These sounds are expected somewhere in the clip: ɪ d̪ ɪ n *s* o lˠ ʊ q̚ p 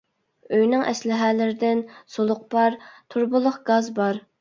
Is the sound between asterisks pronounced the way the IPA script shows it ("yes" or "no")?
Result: yes